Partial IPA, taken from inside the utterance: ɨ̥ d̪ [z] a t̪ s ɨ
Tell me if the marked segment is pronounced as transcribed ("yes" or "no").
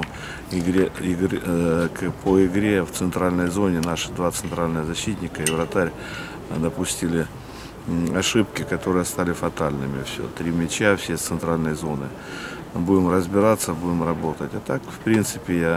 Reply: no